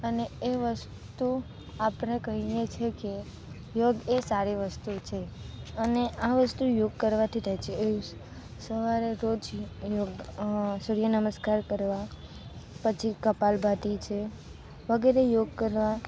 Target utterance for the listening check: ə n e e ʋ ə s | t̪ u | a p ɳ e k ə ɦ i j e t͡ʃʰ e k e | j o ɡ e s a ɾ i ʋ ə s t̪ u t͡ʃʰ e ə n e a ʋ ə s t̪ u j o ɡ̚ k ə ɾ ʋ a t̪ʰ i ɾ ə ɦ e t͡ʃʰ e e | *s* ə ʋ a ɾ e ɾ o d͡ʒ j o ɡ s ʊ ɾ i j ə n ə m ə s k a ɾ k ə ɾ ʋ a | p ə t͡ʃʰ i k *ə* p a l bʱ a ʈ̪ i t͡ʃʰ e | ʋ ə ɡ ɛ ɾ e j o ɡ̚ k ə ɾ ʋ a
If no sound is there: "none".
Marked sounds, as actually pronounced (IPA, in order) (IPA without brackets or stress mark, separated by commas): s, ə